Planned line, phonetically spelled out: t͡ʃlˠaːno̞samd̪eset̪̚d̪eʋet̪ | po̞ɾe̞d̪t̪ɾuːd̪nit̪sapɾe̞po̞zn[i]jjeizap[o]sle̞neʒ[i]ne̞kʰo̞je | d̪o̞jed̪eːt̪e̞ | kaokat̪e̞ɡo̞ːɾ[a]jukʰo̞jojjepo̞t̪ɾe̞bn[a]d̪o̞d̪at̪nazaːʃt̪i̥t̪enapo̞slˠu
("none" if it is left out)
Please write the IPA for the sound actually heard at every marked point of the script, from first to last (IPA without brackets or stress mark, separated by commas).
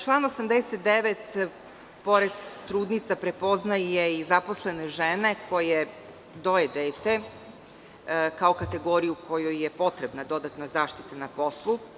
a, o, e, i, a